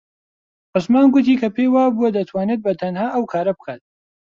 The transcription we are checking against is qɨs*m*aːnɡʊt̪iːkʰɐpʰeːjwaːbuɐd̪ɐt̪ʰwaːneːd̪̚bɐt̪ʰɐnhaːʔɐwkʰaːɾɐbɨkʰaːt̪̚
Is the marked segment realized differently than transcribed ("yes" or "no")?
no